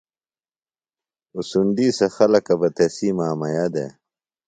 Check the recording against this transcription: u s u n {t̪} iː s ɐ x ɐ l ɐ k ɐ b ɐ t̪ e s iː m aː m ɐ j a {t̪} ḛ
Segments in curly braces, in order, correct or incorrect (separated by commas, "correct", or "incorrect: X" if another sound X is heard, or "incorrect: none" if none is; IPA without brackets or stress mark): incorrect: d̪, incorrect: d̪